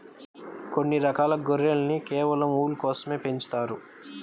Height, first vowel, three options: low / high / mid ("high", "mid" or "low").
mid